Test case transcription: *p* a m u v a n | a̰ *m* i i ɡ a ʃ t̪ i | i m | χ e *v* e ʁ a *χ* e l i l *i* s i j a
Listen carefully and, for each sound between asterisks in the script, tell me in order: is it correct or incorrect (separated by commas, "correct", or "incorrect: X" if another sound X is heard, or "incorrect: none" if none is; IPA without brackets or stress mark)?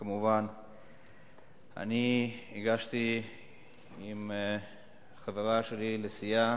incorrect: k, incorrect: n, correct, incorrect: ʃ, incorrect: e